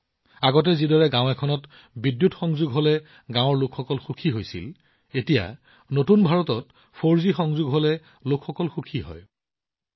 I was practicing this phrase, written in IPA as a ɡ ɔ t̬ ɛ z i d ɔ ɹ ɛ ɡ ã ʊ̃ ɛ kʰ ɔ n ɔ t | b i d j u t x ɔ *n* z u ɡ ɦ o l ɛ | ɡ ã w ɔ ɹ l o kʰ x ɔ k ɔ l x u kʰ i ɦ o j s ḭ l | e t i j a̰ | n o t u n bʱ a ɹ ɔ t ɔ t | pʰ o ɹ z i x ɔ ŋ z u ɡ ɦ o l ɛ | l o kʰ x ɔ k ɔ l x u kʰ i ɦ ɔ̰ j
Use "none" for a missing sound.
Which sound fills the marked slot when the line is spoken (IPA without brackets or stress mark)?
ŋ